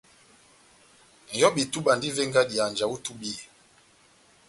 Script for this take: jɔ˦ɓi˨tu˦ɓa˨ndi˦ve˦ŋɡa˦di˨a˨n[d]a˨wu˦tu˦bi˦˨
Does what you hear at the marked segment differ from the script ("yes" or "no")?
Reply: yes